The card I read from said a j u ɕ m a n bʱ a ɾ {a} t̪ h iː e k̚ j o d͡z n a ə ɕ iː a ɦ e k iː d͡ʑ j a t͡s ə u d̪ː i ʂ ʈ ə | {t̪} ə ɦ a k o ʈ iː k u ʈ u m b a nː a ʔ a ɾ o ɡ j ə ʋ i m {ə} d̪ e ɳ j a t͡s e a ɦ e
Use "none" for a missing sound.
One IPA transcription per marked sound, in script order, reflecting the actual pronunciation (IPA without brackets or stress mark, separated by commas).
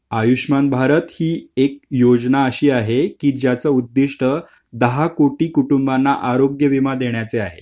ə, d̪, a